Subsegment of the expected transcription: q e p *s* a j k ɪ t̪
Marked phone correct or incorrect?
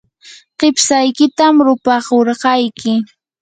correct